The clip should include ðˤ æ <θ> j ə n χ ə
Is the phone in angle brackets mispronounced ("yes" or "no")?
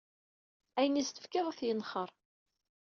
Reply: no